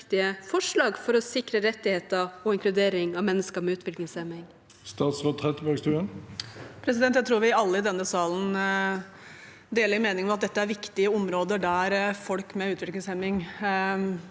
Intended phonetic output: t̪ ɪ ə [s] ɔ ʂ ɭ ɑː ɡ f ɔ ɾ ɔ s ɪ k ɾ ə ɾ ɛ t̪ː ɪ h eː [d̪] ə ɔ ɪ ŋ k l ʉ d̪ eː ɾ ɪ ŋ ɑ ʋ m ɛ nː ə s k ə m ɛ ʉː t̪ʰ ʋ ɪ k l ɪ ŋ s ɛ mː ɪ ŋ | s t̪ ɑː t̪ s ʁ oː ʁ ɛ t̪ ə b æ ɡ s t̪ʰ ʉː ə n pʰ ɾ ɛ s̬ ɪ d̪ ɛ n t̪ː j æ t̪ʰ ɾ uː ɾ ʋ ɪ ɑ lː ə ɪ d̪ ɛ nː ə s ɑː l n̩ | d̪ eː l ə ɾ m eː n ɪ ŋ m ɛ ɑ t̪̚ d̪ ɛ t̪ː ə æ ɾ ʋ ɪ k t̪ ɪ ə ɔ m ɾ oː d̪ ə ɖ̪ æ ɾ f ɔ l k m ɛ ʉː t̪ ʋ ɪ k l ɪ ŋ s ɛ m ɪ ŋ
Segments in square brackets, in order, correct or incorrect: incorrect: f, incorrect: t̪

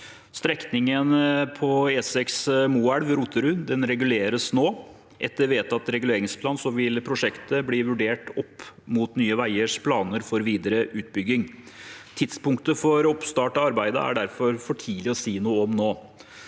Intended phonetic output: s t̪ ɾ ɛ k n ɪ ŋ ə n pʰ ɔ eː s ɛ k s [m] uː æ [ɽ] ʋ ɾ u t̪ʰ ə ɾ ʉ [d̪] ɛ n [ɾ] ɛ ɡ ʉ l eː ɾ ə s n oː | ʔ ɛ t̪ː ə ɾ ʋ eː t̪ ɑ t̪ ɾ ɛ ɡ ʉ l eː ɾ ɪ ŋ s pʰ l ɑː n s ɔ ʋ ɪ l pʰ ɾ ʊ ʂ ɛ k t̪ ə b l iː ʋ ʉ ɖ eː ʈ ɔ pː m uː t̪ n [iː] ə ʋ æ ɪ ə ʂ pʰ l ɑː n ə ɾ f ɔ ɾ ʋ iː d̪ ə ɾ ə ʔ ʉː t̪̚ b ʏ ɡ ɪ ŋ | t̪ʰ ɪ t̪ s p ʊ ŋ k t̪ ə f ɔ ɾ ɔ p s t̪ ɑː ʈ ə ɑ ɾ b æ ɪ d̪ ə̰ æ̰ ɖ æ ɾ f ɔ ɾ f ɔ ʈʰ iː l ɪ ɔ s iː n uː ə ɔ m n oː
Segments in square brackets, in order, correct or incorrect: correct, correct, correct, correct, incorrect: yː

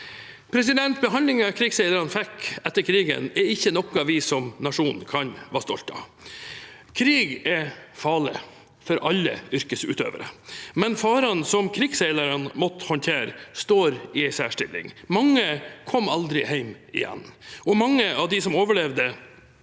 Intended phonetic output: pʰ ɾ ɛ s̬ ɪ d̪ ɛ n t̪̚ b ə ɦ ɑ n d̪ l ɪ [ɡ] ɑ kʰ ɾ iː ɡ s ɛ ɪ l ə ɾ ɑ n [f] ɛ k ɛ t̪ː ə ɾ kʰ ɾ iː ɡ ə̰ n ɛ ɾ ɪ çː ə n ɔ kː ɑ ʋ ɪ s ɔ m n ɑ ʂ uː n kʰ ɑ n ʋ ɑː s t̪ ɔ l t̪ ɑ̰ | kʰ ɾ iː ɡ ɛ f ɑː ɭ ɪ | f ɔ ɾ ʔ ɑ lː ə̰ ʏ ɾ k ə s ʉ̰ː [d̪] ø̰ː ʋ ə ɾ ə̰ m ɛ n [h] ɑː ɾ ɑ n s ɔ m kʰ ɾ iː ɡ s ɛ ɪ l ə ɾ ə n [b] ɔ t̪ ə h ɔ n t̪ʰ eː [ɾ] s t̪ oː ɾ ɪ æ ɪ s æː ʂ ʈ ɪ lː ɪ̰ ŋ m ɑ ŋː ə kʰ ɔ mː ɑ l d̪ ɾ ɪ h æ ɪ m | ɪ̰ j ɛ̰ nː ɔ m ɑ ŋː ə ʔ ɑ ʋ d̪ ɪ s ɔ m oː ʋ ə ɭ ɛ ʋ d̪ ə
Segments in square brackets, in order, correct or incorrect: incorrect: ŋ, correct, incorrect: t̪, incorrect: f, incorrect: m, correct

